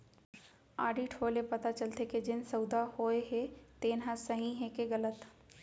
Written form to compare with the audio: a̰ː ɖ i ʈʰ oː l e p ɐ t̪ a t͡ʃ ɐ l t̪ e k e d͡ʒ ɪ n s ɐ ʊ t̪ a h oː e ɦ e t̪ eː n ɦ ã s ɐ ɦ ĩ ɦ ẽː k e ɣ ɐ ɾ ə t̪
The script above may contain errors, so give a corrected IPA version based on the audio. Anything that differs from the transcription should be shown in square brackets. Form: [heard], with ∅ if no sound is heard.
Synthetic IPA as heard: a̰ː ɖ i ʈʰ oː l e p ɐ t̪ a t͡ʃ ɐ l t̪ e k e d͡ʒ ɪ n s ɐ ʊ [d̪] a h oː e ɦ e t̪ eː n ɦ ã s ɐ ɦ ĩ ɦ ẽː k e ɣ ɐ [l] ə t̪